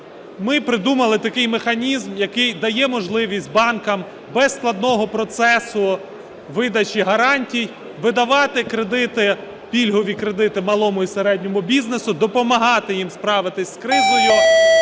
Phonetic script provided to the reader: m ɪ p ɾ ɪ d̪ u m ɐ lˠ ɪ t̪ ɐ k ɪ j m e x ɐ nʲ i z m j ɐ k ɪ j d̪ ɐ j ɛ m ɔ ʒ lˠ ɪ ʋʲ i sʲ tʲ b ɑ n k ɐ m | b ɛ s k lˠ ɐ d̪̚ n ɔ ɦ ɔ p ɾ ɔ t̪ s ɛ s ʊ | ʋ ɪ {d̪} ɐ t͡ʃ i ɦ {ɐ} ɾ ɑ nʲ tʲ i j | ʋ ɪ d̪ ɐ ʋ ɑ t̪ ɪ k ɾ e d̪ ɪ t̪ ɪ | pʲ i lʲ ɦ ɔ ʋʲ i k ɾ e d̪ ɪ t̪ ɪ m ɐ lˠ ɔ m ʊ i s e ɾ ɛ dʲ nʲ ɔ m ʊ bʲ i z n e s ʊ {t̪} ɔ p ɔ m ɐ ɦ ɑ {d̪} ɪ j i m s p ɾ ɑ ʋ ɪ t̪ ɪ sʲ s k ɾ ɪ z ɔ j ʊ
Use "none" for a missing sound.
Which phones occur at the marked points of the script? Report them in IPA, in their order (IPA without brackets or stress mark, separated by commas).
d̪, ɐ, d̪, t̪